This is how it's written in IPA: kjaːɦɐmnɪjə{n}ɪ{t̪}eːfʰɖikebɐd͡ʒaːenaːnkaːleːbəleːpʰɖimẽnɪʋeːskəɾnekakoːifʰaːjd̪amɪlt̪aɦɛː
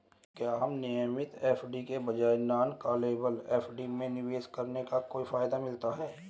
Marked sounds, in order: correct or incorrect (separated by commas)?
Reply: incorrect, correct